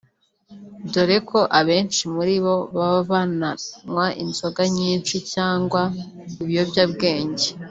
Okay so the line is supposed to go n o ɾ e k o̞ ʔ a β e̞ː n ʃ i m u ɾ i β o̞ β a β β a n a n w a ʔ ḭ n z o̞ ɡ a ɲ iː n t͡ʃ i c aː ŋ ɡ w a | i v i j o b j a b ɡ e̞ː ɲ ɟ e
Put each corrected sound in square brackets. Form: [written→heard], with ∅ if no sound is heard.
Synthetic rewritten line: [n→d] o ɾ e k o̞ ʔ a β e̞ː n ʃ i m u ɾ i β o̞ β a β β a n a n w a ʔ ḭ n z o̞ ɡ a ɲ iː n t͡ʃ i c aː ŋ ɡ w a | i [v→β] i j o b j a b ɡ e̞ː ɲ ɟ e